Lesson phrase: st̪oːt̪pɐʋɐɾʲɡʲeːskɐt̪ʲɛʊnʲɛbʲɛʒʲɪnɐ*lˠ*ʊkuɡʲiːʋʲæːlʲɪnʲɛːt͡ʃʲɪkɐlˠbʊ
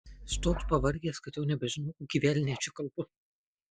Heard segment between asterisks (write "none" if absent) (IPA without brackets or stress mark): none